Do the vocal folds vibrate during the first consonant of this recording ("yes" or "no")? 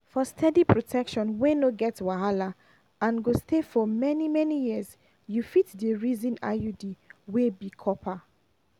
no